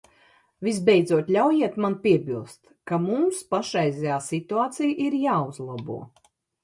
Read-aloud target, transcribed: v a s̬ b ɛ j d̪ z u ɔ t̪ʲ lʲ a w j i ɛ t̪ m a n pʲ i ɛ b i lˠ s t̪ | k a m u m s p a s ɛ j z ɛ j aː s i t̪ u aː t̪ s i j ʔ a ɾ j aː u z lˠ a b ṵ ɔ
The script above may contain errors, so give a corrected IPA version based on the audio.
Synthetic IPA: v i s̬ b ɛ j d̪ z u ɔ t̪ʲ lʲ a w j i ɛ t̪ m a n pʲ i ɛ b i lˠ s t̪ | k a m u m s p a ʃ ɛ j z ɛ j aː s i t̪ u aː t̪ s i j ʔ i ɾ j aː u z lˠ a b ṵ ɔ